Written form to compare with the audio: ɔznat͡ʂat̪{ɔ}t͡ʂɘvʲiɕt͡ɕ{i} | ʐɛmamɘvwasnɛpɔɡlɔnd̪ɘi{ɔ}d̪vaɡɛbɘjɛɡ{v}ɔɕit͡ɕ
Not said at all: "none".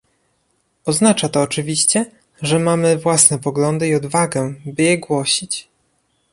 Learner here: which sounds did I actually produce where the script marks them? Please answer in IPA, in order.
ɔː, ɛ, ɔ, w

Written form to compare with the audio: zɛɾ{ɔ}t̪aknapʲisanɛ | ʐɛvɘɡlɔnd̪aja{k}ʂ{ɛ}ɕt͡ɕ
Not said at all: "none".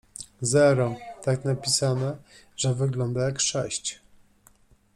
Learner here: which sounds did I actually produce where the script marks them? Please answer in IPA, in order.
ɔ, k, ɛ

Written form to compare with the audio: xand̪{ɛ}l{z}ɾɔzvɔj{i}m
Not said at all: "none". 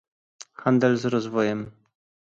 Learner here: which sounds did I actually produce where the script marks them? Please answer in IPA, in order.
ɛ, z, ɛ

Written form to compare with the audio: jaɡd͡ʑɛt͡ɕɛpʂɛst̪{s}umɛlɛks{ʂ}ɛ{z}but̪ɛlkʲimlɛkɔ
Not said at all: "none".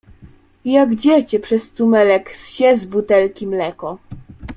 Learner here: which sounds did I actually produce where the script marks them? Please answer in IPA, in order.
s, ɕ, z

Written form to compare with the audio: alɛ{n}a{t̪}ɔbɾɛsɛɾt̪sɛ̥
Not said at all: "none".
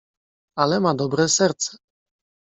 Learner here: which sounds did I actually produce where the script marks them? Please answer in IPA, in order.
m, d̪

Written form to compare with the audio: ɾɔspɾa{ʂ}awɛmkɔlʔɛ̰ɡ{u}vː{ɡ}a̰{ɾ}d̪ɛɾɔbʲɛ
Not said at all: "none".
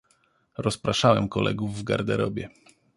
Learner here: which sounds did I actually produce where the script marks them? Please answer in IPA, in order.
ʂ, u, ɡ, ɾ

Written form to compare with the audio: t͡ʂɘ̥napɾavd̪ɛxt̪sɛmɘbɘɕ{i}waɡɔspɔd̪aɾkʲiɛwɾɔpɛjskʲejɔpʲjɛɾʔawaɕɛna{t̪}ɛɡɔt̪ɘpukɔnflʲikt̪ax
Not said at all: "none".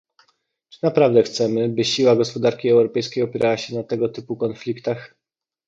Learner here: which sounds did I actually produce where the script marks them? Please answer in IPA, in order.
i, t̪

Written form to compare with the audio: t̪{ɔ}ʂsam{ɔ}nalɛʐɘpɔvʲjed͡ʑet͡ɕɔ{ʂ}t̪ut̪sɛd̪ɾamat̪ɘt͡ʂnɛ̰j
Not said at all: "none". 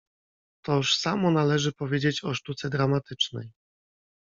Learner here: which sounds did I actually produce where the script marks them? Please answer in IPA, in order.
ɔ, ɔ, ʂ

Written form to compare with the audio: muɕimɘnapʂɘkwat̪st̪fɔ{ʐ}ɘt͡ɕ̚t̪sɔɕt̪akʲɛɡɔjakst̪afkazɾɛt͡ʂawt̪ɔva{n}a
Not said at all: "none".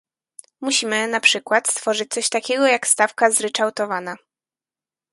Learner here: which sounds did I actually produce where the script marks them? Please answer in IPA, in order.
ʐ, n

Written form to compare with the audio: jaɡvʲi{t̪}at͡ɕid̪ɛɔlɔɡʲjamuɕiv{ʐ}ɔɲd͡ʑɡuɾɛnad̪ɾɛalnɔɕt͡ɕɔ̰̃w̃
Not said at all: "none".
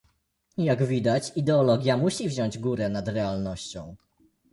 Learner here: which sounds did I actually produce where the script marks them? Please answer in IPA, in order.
d̪, ʑ

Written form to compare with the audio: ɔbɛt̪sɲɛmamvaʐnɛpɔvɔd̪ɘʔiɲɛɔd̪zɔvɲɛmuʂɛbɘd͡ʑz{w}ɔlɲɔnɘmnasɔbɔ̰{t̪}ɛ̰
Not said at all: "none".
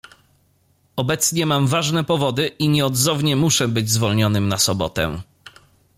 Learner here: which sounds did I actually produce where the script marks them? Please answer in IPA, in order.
v, t̪

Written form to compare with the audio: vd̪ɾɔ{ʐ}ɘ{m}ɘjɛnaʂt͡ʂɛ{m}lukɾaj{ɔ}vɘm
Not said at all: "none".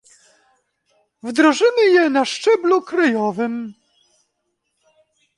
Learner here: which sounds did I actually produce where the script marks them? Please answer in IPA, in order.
ʐ, m, b, ɔ

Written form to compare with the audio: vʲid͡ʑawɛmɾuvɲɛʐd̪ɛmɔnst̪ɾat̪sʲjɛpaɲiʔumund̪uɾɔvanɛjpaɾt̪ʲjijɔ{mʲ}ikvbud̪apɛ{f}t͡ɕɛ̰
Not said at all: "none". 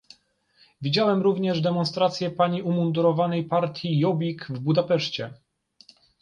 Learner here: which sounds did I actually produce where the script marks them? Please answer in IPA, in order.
bʲ, ʂ

